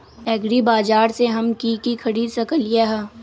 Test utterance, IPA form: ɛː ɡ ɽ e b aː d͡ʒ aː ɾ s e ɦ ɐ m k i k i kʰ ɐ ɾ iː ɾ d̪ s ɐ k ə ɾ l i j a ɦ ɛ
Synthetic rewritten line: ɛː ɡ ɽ i b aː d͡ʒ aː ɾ s e ɦ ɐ m k i k i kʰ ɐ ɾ iː d̪ s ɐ k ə l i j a ɦ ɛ